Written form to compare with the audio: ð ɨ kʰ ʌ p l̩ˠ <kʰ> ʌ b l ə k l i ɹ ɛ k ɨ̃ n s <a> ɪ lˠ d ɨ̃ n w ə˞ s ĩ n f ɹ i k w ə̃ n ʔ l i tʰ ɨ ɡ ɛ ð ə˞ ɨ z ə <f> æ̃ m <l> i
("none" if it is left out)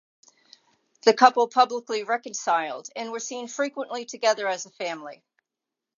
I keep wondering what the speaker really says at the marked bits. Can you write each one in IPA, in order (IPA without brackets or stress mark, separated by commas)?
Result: pʰ, a, f, l